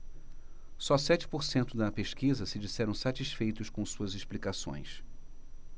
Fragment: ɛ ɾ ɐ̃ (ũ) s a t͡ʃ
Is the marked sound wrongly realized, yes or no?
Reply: yes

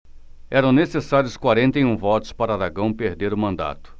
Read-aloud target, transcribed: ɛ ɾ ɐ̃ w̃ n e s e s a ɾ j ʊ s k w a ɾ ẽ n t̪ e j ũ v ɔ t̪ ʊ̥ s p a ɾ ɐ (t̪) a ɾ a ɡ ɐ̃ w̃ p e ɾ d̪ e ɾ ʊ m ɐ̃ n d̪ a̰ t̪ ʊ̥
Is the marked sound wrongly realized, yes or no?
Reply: yes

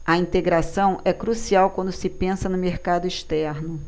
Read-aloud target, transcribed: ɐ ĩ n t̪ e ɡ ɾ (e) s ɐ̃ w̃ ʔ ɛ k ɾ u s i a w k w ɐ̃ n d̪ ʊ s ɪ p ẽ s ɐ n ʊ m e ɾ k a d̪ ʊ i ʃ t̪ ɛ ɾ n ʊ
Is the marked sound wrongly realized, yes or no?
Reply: yes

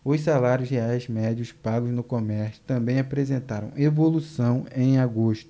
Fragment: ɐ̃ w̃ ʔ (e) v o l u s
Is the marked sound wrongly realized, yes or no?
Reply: no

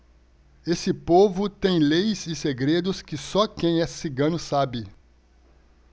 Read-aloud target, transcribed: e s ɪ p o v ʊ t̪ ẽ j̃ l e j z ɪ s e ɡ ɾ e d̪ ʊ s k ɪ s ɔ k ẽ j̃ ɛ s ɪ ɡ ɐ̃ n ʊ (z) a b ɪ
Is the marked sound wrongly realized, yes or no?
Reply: yes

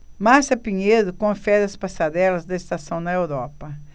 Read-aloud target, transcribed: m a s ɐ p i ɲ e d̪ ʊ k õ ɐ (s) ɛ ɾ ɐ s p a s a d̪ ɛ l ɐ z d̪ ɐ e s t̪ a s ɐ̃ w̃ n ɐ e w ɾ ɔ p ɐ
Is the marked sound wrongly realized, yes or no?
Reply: yes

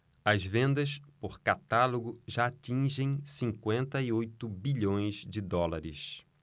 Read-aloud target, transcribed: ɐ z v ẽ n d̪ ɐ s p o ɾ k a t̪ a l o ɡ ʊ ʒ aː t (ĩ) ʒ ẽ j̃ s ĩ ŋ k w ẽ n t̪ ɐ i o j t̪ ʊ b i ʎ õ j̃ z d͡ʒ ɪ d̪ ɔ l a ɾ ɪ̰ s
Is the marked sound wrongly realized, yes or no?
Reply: no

